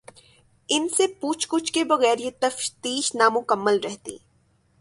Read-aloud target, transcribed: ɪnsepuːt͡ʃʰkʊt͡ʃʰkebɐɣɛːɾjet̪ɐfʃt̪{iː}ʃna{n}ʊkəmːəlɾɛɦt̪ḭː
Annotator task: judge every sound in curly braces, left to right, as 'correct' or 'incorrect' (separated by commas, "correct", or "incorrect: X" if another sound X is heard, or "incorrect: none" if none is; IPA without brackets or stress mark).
correct, incorrect: m